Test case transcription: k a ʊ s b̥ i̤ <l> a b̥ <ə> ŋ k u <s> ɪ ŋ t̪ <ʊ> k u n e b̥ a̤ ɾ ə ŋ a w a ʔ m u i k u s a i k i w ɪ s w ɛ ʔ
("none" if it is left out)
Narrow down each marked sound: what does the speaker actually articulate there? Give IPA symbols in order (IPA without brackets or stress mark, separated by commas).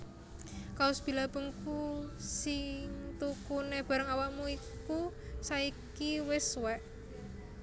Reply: l, ə, s, u